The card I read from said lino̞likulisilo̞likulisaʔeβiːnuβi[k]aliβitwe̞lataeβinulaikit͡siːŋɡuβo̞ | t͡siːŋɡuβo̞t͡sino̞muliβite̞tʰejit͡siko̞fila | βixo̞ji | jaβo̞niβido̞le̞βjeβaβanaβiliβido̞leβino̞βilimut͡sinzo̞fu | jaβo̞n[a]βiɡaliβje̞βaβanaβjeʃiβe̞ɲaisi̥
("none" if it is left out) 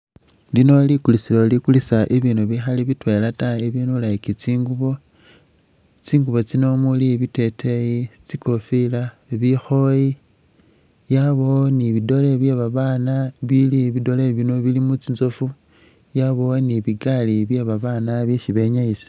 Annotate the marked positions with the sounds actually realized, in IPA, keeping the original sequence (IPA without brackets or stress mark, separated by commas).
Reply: x, i